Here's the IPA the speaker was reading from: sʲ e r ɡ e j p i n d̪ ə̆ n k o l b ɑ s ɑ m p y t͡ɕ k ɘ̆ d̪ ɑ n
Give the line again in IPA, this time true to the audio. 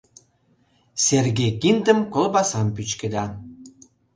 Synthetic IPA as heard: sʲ e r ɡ e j k i n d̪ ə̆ m k o l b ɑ s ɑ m p y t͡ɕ k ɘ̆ d̪ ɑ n

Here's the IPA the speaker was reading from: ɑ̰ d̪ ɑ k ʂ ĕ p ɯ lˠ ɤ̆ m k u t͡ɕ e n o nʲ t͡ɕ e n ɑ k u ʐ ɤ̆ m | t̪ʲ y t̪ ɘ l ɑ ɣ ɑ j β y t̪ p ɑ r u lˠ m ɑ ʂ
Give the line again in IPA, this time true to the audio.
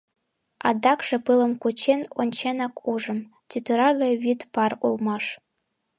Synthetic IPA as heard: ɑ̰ d̪ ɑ k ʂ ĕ p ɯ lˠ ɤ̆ m k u t͡ɕ e n o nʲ t͡ɕ e n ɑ k u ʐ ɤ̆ m | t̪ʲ y t̪ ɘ ɾ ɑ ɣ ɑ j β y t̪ p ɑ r u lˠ m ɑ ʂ

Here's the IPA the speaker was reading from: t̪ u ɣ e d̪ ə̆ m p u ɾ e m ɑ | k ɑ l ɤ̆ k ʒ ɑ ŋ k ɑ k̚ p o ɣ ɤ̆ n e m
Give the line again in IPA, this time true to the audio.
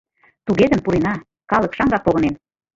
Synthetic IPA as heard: t̪ u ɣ e d̪ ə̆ m p u ɾ e n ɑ | k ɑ l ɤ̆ k ʃ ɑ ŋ ɡ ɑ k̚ p o ɣ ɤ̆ n e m

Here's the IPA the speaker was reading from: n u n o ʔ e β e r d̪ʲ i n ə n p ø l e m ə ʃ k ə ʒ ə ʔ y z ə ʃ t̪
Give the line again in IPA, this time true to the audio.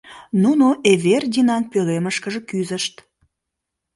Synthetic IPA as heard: n u n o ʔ e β e r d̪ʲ i n ɑ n p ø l e m ə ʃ k ə ʒ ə k y z ə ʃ t̪

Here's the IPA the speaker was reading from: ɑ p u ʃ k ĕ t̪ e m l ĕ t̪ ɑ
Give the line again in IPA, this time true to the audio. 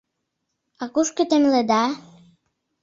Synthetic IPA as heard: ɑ k u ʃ k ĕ t̪ e m l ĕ d̪ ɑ

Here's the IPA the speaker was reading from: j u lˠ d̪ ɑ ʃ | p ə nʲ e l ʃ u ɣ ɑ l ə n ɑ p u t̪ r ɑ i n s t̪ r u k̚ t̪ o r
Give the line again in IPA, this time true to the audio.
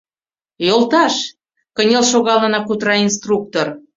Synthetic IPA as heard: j o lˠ t̪ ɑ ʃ | k ə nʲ e l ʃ o ɣ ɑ l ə n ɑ k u t̪ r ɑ i n s t̪ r u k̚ t̪ o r

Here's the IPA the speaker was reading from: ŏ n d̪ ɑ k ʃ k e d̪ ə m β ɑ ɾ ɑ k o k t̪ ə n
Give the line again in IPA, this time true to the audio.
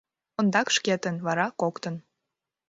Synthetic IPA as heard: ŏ n d̪ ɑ k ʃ k e t̪ ə n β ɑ ɾ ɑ k o k t̪ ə n

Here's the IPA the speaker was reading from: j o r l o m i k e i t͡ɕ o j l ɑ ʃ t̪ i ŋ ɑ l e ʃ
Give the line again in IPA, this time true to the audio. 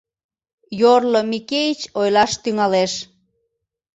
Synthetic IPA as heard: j o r l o m i k e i t͡ɕ o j l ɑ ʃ t̪ y ŋ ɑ l e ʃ

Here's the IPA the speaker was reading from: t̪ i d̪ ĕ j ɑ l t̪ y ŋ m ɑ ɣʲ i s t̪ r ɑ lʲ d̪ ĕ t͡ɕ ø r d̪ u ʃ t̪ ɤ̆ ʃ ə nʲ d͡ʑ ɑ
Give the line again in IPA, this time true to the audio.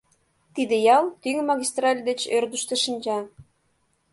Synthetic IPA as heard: t̪ i d̪ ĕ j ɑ l t̪ y ŋ m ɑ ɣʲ i s t̪ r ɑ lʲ d̪ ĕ t͡ɕ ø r d̪ u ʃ t̪ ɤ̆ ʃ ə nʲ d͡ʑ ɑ

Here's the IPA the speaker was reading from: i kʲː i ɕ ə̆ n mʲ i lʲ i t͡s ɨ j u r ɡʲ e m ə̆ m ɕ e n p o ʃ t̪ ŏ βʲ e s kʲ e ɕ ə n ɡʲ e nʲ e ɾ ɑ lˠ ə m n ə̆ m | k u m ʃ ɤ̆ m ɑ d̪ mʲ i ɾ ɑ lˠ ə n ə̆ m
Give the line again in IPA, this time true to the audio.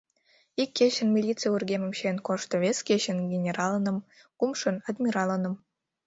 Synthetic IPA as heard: i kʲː e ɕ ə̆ n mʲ i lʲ i t͡s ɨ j u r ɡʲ e m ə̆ m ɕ e n k o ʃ t̪ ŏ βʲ e s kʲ e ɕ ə n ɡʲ e nʲ e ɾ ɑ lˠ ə n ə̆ m | k u m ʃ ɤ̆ n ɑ d̪ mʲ i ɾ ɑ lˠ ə n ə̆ m

